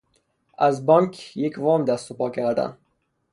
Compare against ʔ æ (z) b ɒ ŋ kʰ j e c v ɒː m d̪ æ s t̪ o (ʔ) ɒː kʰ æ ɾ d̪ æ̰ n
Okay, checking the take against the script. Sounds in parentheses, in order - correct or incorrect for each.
correct, incorrect: p

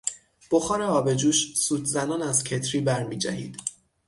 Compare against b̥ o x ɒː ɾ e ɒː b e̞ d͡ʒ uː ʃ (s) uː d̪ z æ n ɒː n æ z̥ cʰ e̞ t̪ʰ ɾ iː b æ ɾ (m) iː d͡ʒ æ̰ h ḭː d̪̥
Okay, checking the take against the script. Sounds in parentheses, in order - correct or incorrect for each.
correct, correct

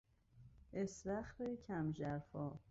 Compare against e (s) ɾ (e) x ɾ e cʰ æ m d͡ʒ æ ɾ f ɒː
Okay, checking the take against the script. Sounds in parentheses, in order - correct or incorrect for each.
correct, incorrect: æ

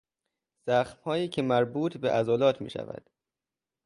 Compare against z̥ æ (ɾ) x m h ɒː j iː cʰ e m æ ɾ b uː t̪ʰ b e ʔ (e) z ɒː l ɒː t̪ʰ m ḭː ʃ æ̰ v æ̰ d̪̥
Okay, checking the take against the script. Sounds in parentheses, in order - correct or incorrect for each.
incorrect: none, incorrect: æ

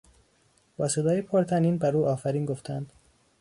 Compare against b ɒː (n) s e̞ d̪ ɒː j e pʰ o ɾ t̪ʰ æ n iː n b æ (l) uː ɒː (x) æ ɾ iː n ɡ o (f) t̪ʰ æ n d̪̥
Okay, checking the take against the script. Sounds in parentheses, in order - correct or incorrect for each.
incorrect: none, incorrect: ɾ, incorrect: f, correct

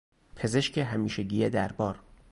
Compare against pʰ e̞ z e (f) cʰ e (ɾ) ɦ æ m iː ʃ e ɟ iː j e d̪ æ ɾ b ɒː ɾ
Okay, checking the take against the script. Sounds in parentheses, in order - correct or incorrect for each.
incorrect: ʃ, incorrect: none

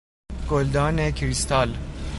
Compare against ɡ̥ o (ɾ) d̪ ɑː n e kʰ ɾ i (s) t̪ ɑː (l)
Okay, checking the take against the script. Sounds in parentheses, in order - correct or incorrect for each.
incorrect: l, correct, correct

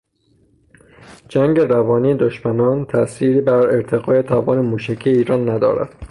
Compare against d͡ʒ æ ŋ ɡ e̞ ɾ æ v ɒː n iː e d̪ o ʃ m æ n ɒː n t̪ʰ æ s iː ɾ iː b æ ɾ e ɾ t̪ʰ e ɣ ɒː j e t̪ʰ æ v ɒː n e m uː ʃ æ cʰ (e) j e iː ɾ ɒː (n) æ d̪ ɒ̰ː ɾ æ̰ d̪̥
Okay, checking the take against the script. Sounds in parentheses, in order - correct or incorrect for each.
incorrect: i, incorrect: nː

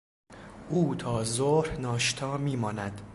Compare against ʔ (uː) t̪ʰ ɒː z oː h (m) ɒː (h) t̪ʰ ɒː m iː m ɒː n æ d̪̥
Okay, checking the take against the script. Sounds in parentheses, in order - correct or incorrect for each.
correct, incorrect: n, incorrect: ʃ

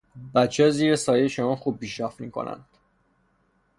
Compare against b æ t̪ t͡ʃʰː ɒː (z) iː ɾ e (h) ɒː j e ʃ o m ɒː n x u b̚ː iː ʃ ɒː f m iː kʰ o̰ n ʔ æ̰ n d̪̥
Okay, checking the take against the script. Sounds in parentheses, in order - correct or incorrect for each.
correct, incorrect: s

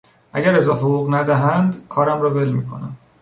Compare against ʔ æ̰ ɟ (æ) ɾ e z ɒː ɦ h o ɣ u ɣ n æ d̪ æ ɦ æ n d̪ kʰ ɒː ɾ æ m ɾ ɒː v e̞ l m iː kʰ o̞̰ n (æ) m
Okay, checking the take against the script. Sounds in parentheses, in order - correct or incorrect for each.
correct, correct

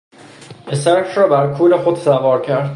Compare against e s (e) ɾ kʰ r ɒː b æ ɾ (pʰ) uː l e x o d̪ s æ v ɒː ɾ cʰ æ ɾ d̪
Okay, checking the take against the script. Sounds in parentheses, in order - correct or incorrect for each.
incorrect: æ, incorrect: kʰ

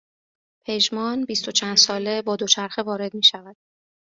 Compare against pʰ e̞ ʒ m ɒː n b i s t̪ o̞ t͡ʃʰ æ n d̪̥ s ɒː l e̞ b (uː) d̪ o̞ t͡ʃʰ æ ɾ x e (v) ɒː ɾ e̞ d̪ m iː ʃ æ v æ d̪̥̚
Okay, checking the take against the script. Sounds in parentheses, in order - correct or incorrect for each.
incorrect: ɒː, correct

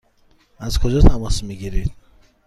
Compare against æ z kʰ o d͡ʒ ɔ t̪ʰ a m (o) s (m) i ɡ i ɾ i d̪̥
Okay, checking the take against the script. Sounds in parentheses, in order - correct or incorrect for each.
incorrect: ɔ, correct

